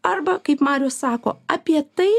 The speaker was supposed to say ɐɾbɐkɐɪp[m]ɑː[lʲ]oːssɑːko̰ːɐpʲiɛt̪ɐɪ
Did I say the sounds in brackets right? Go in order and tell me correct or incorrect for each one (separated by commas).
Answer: correct, incorrect